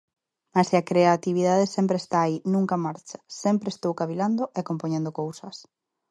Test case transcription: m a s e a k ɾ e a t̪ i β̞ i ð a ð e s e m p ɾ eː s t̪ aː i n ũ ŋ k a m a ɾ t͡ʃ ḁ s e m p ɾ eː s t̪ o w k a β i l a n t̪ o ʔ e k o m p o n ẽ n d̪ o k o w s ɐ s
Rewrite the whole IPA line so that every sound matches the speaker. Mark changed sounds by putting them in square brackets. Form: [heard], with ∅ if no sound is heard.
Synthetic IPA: m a s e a k ɾ e a t̪ i β̞ i ð a ð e s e m p ɾ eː s t̪ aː i n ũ ŋ k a m a ɾ t͡ʃ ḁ s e m p ɾ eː s t̪ o w k a β i l a n [d̪] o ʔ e k o m p o [ɲ] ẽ n d̪ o k o w s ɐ s